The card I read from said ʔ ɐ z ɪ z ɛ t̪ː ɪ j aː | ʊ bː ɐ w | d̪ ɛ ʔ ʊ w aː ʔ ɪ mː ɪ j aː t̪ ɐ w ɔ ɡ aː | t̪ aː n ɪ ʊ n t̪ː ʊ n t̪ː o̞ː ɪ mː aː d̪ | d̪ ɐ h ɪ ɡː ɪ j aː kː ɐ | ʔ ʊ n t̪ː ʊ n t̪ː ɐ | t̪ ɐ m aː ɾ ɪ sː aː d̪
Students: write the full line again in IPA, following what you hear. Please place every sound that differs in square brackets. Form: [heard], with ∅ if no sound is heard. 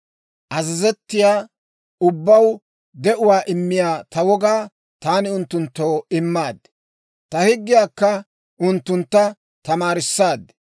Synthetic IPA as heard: ʔ ɐ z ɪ z ɛ t̪ː ɪ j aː | ʊ bː ɐ w | d̪ ɛ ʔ ʊ w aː ʔ ɪ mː ɪ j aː t̪ ɐ w ɔ ɡ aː | t̪ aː n ɪ ʊ n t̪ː ʊ n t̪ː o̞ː ɪ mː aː d̪ | [t̪] ɐ h ɪ ɡː ɪ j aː kː ɐ | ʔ ʊ n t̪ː ʊ n t̪ː ɐ | t̪ ɐ m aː ɾ ɪ sː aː d̪

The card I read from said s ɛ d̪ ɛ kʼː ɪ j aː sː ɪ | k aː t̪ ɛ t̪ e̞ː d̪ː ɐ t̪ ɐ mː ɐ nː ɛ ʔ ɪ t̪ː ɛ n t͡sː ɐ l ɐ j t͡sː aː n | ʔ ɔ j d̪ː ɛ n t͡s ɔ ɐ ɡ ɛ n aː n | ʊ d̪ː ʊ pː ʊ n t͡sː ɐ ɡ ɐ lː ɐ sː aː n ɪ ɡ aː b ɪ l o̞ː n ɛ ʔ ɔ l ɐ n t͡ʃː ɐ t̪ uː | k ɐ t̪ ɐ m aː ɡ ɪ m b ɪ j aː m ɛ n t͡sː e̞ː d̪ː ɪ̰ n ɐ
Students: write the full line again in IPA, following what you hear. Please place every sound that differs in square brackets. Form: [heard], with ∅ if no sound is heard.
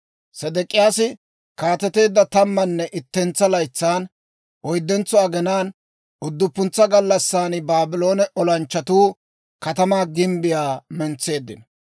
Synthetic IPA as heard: s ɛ d̪ ɛ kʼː ɪ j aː [s] ɪ | k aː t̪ ɛ t̪ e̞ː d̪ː ɐ t̪ ɐ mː ɐ nː ɛ ʔ ɪ t̪ː ɛ n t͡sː ɐ l ɐ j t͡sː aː n | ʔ ɔ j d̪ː ɛ n t͡s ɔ ɐ ɡ ɛ n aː n | ʊ d̪ː ʊ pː ʊ n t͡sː ɐ ɡ ɐ lː ɐ sː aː n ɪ [b] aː b ɪ l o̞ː n ɛ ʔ ɔ l ɐ n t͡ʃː ɐ t̪ uː | k ɐ t̪ ɐ m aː ɡ ɪ m b ɪ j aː m ɛ n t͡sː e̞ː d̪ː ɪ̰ n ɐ

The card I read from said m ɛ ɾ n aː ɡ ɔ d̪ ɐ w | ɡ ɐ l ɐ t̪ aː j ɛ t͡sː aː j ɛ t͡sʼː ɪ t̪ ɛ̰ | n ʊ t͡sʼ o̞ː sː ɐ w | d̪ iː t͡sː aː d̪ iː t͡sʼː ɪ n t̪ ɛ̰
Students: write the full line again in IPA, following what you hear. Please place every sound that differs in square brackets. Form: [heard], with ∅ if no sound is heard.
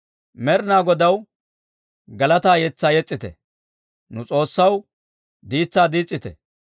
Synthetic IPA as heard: m ɛ ɾ n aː ɡ ɔ d̪ ɐ w | ɡ ɐ l ɐ t̪ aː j ɛ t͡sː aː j ɛ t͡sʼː ɪ t̪ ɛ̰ | n ʊ t͡sʼ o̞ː sː ɐ w | d̪ iː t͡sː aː d̪ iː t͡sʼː ɪ [∅] t̪ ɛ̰

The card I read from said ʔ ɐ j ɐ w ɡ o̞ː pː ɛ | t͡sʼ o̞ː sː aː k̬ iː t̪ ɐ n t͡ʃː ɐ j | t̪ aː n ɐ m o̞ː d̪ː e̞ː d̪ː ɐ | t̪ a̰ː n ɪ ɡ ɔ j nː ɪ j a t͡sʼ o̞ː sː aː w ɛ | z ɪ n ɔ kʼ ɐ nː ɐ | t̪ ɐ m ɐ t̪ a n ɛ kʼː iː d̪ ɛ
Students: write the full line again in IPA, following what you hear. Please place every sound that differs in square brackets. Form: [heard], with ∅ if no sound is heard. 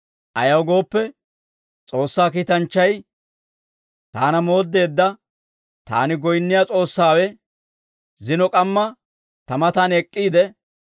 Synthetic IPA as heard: ʔ ɐ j ɐ w ɡ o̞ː pː ɛ | t͡sʼ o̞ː sː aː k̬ iː t̪ ɐ n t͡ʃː ɐ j | t̪ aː n ɐ m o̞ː d̪ː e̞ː d̪ː ɐ | t̪ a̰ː n ɪ ɡ ɔ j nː ɪ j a t͡sʼ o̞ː sː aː w ɛ | z ɪ n ɔ kʼ ɐ [mː] ɐ | t̪ ɐ m ɐ t̪ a n ɛ kʼː iː d̪ ɛ

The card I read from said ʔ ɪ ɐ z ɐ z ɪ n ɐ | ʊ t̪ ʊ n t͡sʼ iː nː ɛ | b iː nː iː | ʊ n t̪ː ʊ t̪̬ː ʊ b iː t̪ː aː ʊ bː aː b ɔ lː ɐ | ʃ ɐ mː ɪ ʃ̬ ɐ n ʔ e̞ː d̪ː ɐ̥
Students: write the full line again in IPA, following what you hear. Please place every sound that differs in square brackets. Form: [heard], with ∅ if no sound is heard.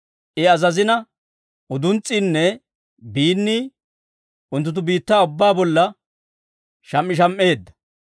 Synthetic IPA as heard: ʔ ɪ ɐ z ɐ z ɪ n ɐ | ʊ [d̪] ʊ n t͡sʼ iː nː ɛ | b iː nː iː | ʊ n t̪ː ʊ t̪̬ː ʊ b iː t̪ː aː ʊ bː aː b ɔ lː ɐ | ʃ ɐ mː ɪ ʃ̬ ɐ [m] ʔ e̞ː d̪ː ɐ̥

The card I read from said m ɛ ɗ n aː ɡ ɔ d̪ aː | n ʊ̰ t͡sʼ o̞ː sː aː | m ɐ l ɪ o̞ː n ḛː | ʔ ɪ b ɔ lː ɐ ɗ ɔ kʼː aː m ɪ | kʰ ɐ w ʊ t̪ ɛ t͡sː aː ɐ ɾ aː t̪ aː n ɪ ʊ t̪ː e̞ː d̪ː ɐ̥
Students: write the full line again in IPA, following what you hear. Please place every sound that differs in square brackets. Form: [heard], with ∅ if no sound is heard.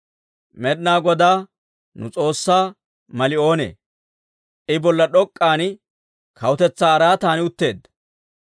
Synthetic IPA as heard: m ɛ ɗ n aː ɡ ɔ d̪ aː | n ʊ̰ t͡sʼ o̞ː sː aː | m ɐ l ɪ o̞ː n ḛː | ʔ ɪ b ɔ lː ɐ ɗ ɔ kʼː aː [n] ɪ | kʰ ɐ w ʊ t̪ ɛ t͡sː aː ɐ ɾ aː t̪ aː n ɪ ʊ t̪ː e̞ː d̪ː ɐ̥

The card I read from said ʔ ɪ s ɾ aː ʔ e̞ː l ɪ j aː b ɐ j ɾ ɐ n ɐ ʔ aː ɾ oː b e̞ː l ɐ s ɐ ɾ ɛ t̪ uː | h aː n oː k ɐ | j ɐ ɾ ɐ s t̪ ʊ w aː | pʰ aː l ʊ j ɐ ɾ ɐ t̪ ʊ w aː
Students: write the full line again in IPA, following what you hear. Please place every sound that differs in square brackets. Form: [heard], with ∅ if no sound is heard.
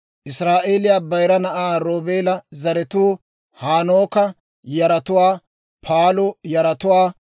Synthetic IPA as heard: ʔ ɪ s ɾ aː ʔ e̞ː l ɪ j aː b ɐ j ɾ ɐ n ɐ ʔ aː ɾ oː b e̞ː l ɐ [z] ɐ ɾ ɛ t̪ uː | h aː n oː k ɐ | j ɐ ɾ ɐ [∅] t̪ ʊ w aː | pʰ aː l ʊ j ɐ ɾ ɐ t̪ ʊ w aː

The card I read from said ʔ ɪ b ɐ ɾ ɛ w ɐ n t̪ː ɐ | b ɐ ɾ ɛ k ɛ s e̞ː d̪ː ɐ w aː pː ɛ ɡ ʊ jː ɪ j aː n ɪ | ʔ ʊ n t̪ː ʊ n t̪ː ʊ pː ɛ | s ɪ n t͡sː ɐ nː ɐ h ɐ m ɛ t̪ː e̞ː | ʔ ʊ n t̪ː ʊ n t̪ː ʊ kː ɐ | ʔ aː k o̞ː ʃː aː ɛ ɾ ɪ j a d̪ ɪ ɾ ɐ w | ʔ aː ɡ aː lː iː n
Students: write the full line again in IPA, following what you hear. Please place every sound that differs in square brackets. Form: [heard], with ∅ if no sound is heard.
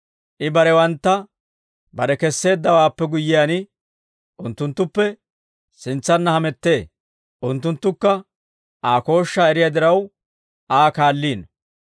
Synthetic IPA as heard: ʔ ɪ b ɐ ɾ ɛ w ɐ n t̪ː ɐ | b ɐ ɾ ɛ k ɛ [sː] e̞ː d̪ː ɐ w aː pː ɛ ɡ ʊ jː ɪ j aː n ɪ | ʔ ʊ n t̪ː ʊ n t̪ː ʊ pː ɛ | s ɪ n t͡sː ɐ nː ɐ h ɐ m ɛ t̪ː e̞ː | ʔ ʊ n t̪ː ʊ n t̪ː ʊ kː ɐ | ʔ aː k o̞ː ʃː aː ɛ ɾ ɪ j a d̪ ɪ ɾ ɐ w | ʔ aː [k] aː lː iː n

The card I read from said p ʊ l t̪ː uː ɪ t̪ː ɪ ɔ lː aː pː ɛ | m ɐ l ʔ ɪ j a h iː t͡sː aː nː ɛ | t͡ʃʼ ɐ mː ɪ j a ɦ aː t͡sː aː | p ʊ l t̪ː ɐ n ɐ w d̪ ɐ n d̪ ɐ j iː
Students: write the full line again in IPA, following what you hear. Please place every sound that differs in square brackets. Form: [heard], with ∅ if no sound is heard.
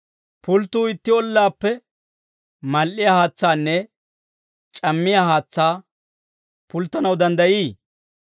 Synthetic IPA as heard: p ʊ l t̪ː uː ɪ t̪ː ɪ ɔ lː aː pː ɛ | m ɐ l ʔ ɪ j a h [aː] t͡sː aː nː ɛ | t͡ʃʼ ɐ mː ɪ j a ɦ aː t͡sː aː | p ʊ l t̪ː ɐ n ɐ w d̪ ɐ n d̪ ɐ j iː

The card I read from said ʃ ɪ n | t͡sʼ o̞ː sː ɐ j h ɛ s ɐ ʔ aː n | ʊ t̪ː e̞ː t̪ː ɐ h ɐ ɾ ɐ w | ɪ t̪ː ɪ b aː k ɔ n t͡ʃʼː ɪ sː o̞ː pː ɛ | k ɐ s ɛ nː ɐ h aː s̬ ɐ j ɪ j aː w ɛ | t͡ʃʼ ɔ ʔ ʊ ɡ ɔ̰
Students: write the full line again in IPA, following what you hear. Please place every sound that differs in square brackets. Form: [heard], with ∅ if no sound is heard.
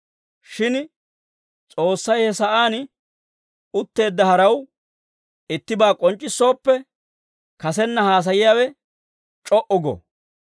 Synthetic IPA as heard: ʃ ɪ n | t͡sʼ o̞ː sː ɐ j h ɛ s ɐ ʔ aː n | ʊ t̪ː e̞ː [d̪ː] ɐ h ɐ ɾ ɐ w | ɪ t̪ː ɪ b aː [kʼ] ɔ n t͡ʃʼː ɪ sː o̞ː pː ɛ | k ɐ s ɛ nː ɐ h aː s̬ ɐ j ɪ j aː w ɛ | t͡ʃʼ ɔ ʔ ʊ ɡ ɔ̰

